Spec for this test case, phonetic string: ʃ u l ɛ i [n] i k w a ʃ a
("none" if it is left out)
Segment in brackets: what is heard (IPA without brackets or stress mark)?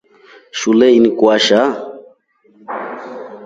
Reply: n